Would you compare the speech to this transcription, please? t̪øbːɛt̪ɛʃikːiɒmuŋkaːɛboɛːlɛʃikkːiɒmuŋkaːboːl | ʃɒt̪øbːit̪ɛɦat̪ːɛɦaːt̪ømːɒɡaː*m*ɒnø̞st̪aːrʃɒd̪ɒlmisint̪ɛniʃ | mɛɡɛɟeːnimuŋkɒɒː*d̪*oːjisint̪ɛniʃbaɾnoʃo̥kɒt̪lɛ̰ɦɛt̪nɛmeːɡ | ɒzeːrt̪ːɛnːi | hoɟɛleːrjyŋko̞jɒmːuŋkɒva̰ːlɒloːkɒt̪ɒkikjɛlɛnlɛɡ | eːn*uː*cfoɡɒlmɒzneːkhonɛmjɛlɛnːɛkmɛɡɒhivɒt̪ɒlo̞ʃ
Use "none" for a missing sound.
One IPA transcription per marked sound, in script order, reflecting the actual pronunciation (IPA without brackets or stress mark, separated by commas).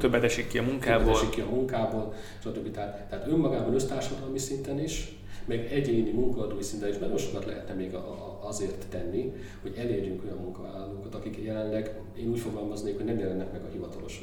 b, d̪, uː